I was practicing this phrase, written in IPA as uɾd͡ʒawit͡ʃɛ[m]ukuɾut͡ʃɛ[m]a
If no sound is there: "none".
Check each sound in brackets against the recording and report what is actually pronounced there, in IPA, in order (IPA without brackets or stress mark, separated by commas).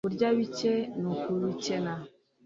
n, n